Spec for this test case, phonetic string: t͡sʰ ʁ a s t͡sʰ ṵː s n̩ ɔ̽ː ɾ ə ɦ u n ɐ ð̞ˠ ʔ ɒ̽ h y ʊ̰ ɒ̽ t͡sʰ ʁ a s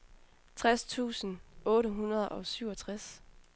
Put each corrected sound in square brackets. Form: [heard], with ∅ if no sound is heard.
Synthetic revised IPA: t͡sʰ ʁ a s t͡sʰ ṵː s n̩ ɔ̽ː ɾ ə ɦ u n ɐ ð̞ˠ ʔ ɒ̽ [s] y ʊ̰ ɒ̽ t͡sʰ ʁ a s